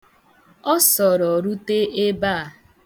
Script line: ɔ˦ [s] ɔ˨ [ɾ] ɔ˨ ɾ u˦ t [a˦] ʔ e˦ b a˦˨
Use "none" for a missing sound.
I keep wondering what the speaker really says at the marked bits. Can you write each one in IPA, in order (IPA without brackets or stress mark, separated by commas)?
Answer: s, ɾ, e˦